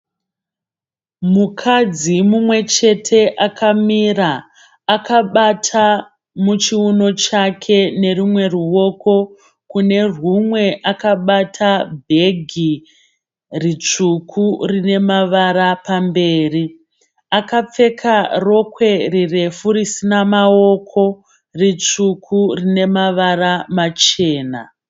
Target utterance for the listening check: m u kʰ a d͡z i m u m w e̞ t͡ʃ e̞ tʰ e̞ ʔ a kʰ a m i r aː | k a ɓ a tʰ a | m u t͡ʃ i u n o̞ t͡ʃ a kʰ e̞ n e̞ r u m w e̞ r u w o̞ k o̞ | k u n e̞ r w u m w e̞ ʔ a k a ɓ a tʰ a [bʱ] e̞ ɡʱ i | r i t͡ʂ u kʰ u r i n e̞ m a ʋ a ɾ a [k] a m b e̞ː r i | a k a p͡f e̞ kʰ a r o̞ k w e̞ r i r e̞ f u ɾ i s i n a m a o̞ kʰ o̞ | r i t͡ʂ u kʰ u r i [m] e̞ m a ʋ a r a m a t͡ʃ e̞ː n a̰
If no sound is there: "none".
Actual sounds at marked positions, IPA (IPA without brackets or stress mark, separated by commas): bʱ, p, n